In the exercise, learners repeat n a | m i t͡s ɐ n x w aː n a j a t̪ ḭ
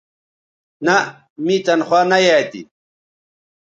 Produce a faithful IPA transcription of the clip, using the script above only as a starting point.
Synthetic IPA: n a | m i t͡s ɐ n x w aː n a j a t̪ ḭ